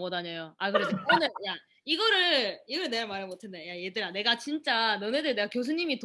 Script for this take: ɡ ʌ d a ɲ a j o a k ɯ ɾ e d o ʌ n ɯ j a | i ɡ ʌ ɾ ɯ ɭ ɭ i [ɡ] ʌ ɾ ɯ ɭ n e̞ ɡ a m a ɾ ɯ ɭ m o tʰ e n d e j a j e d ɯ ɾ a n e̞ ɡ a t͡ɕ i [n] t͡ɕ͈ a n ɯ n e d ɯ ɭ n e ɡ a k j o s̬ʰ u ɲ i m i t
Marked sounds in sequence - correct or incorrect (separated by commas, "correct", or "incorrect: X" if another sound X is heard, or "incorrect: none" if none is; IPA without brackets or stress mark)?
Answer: correct, correct